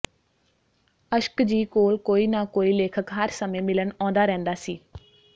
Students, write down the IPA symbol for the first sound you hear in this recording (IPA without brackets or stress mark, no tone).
ə